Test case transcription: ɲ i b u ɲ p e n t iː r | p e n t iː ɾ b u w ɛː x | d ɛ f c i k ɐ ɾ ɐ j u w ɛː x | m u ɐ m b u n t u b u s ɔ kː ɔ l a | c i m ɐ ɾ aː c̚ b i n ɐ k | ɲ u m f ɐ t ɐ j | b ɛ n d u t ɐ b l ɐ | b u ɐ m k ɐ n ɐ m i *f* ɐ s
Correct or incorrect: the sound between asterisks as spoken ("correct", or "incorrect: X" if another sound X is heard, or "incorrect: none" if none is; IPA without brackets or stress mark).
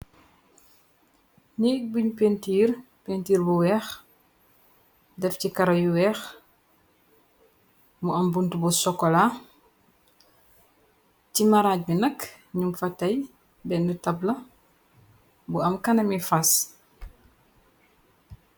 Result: correct